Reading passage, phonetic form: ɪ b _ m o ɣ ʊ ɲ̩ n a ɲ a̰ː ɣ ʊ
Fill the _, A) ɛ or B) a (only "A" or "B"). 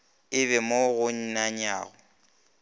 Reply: A